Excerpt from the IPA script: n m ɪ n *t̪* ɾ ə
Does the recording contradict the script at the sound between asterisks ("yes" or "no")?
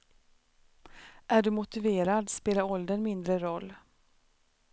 yes